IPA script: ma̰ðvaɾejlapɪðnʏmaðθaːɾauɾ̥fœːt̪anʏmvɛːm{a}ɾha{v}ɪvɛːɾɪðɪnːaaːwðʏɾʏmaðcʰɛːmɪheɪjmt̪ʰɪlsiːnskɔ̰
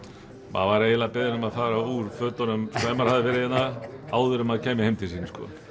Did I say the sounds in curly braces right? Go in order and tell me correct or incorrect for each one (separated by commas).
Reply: correct, incorrect